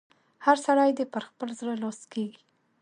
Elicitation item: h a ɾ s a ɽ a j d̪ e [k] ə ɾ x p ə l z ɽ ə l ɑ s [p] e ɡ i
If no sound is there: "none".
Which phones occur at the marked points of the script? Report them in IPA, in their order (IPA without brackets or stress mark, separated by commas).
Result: p, k